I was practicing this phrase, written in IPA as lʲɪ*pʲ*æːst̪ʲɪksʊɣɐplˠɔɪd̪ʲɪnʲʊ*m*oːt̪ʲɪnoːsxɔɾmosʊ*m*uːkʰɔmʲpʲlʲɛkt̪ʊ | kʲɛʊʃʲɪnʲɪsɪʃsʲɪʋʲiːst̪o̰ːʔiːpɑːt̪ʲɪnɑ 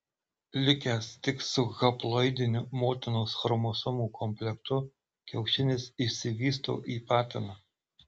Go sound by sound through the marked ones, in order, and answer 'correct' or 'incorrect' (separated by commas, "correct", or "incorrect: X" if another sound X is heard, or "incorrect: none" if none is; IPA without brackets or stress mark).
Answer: incorrect: kʲ, correct, correct